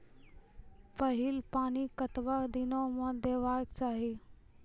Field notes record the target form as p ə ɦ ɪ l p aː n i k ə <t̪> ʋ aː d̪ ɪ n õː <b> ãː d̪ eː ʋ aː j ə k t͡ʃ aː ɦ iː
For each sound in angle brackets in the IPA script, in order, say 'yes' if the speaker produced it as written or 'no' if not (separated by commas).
yes, no